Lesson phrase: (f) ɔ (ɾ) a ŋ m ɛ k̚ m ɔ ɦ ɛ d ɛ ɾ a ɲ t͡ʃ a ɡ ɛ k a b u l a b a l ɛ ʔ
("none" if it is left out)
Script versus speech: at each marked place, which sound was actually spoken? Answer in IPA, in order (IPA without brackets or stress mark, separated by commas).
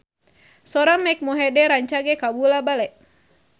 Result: s, ɾ